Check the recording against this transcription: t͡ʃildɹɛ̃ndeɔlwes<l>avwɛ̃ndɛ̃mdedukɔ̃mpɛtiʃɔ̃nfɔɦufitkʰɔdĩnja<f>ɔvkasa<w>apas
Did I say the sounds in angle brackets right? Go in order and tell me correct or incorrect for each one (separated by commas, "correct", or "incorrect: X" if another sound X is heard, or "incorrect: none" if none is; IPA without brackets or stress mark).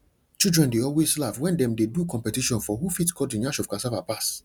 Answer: correct, incorrect: ʃ, incorrect: v